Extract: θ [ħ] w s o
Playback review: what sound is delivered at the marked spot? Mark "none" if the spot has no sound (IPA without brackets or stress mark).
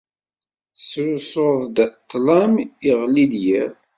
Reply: s